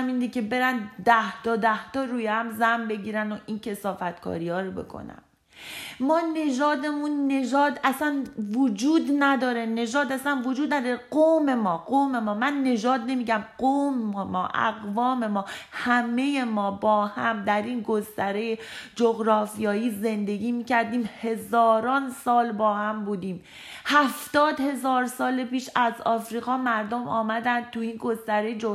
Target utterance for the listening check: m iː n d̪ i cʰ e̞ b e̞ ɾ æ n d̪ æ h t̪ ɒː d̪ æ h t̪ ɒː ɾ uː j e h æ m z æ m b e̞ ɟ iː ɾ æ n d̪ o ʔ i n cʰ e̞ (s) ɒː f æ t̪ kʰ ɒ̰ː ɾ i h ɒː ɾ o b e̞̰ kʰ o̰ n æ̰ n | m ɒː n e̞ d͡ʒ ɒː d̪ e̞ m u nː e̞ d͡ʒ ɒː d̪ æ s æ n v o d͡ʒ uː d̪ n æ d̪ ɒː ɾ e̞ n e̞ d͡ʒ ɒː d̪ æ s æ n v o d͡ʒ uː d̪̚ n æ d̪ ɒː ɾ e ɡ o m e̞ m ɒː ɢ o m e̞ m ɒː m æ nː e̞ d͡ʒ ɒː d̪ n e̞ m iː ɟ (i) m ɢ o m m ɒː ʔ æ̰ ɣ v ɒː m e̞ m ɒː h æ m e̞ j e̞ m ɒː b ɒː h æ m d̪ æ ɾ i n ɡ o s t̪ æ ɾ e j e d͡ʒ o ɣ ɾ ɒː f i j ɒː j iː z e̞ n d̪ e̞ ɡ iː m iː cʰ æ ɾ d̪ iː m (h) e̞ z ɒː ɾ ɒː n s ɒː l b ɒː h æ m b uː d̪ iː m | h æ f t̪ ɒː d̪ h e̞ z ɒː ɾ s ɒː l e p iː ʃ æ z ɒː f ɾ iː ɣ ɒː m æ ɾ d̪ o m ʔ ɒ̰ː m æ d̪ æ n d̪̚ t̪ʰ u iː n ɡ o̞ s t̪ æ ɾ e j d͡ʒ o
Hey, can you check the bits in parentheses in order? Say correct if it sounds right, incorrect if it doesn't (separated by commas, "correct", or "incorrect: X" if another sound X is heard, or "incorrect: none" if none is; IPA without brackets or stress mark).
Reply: correct, incorrect: æ, correct